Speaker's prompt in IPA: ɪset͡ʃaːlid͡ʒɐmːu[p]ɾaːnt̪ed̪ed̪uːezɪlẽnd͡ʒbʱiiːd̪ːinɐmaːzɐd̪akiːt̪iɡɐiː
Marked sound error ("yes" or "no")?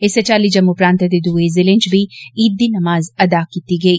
no